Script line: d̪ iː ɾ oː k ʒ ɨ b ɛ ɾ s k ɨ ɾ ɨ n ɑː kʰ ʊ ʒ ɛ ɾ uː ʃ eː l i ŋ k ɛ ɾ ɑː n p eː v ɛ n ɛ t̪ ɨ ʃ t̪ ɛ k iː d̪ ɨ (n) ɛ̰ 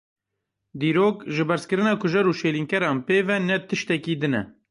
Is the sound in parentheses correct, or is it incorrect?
correct